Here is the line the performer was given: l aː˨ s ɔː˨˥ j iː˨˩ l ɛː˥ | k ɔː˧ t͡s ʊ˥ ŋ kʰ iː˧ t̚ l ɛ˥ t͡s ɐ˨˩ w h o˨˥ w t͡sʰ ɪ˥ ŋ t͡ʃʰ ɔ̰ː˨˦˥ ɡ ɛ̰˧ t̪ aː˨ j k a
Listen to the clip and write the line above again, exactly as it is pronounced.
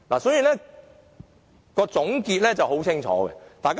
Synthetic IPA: l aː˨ s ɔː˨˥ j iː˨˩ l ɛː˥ | k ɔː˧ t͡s ʊ˨˥ ŋ k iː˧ t̚ l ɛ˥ t͡s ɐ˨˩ w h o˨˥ w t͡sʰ ɪ˥ ŋ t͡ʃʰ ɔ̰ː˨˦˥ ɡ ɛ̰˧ t̪ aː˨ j k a

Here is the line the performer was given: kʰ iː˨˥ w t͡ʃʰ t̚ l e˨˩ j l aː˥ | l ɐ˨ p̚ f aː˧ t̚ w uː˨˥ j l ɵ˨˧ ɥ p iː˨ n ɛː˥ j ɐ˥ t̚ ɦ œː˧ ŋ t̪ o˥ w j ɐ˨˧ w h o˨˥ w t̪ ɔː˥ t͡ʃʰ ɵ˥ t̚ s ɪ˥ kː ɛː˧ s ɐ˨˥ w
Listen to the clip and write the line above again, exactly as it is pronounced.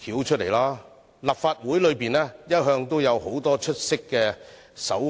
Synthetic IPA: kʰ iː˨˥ w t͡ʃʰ t̚ l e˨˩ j l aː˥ | l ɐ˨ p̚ f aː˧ t̚ w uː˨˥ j l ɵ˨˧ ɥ p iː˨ n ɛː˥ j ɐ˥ t̚ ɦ œː˧ ŋ t̪ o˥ w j ɐ˨˧ w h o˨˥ w t̪ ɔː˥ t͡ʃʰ ɵ˥ t̚ s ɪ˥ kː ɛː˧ s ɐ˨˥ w

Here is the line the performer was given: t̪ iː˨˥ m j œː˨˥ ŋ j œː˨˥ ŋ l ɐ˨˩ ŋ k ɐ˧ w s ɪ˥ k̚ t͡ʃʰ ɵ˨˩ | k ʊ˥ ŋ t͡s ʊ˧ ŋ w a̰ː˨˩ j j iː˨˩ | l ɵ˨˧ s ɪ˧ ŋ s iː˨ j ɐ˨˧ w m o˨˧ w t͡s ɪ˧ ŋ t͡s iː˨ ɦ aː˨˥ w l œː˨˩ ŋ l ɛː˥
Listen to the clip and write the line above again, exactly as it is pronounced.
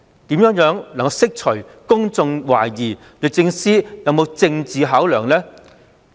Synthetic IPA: t̪ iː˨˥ m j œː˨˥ ŋ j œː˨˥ ŋ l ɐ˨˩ ŋ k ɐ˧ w s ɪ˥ k̚ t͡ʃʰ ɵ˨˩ | k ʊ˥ ŋ t͡s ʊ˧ ŋ w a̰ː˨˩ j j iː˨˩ | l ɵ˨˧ t͡s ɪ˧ ŋ s iː˥ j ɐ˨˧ w m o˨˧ w t͡s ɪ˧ ŋ t͡s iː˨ ɦ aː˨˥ w l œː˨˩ ŋ l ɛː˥

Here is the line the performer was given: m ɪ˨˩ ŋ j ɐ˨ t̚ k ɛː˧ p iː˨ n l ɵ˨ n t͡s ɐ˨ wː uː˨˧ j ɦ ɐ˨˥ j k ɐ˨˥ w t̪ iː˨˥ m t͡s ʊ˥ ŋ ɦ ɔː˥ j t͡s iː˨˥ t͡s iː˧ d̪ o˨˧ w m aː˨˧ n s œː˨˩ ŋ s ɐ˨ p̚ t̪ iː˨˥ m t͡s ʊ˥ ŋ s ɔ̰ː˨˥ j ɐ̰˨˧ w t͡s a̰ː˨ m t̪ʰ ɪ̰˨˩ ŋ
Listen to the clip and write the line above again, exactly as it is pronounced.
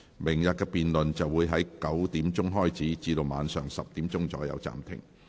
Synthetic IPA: m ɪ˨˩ ŋ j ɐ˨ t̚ k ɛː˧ p iː˨ n l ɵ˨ n t͡s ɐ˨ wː uː˨˧ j ɦ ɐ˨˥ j k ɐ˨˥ w t̪ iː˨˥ m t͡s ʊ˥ ŋ ɦ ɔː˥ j t͡s iː˨˥ t͡s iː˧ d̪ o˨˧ w m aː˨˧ n s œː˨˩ ŋ s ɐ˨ p̚ t̪ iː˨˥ m t͡s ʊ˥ ŋ t͡s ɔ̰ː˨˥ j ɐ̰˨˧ w t͡s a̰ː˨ m t̪ʰ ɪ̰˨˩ ŋ

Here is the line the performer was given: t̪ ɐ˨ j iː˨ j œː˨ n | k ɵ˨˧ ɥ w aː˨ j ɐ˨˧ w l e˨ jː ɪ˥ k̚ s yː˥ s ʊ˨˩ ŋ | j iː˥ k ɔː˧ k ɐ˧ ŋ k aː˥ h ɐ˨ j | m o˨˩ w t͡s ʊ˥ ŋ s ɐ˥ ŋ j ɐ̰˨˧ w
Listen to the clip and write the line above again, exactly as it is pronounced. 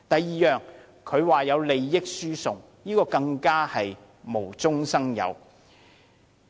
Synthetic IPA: t̪ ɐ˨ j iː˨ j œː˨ ŋ | kʰ ɵ˨˧ ɥ w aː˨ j ɐ˨˧ w l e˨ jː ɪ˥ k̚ s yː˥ s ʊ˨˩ ŋ | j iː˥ k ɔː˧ k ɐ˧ ŋ k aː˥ h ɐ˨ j | m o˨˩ w t͡s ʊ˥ ŋ s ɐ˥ ŋ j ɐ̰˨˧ w

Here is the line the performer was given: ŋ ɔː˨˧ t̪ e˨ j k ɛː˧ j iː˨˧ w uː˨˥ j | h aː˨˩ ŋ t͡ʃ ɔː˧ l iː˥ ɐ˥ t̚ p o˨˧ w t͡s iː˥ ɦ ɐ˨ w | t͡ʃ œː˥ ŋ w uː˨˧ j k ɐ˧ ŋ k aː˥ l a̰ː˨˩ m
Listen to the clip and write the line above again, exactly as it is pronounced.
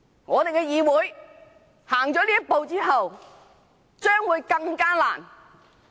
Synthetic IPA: ŋ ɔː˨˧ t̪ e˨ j k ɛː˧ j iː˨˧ w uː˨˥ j | h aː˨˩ ŋ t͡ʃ ɔː˨˥ l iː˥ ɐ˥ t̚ p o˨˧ w t͡s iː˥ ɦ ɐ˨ w | t͡ʃ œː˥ ŋ w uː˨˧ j k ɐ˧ ŋ k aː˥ l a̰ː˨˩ n

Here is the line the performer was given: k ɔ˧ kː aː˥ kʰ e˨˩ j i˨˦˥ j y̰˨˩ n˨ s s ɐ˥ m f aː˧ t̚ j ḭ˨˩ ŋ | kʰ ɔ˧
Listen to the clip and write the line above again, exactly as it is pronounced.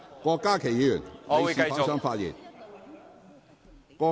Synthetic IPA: k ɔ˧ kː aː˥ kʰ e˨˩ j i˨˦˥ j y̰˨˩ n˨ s s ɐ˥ ŋ f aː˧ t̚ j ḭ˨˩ n | k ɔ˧

